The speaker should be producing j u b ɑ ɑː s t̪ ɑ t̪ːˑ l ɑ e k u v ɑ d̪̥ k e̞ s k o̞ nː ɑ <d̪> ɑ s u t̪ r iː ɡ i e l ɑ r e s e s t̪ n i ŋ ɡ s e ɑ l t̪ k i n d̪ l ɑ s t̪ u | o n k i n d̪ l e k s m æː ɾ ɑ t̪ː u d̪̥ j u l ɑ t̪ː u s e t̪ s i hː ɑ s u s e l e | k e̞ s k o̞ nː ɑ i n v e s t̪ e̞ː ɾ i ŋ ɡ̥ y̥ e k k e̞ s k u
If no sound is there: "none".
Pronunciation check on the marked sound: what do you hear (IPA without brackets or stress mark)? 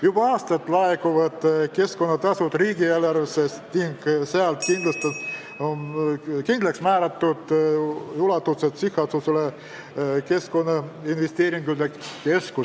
t̪